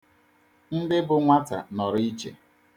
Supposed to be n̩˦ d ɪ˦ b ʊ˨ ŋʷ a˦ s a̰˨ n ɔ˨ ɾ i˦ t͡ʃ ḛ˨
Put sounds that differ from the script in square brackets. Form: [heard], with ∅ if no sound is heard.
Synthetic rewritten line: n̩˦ d ɪ˦ b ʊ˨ ŋʷ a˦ [t] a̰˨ n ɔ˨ ɾ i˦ t͡ʃ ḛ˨